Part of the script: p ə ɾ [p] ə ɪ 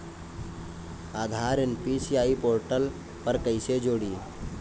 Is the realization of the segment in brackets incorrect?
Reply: yes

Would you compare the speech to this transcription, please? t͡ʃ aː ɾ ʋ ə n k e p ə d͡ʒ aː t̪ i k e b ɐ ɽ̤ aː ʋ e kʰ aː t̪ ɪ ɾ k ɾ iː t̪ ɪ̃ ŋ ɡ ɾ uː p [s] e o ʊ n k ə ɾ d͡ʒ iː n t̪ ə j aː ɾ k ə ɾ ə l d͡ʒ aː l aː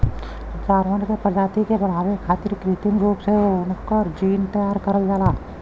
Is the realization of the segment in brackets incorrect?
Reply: no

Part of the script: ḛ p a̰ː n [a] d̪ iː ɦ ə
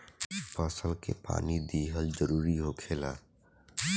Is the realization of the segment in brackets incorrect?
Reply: yes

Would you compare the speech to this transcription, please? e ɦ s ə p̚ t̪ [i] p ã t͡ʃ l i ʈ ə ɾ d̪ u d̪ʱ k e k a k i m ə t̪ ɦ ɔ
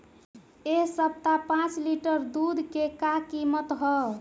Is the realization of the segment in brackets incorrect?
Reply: yes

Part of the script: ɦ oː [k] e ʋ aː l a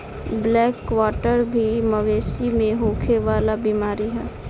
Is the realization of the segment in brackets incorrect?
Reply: yes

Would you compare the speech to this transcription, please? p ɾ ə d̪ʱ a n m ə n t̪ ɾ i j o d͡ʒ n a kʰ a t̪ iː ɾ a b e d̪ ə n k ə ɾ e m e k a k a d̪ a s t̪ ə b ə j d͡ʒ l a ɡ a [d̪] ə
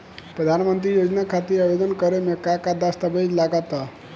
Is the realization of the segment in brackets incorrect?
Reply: yes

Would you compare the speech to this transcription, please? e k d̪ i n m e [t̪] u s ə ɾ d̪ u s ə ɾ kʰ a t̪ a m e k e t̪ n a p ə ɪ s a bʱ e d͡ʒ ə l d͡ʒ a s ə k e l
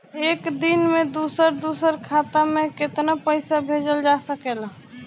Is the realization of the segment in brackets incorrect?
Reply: yes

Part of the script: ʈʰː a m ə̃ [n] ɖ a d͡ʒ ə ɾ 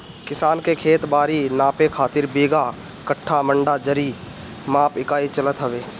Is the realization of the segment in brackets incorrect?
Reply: yes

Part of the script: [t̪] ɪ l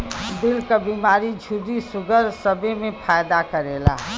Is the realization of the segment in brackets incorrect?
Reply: yes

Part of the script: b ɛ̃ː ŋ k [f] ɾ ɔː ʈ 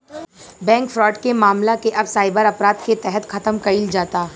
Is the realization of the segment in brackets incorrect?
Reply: no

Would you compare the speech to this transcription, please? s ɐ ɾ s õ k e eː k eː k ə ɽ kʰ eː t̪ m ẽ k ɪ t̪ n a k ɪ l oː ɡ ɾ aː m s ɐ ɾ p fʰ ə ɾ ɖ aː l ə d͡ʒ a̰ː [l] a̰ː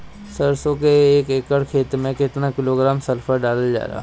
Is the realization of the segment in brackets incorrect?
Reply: yes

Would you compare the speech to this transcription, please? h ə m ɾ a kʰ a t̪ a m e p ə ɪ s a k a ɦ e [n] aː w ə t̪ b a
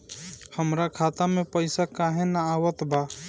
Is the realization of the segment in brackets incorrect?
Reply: no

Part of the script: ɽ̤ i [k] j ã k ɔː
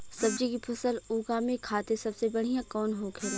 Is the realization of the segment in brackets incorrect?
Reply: yes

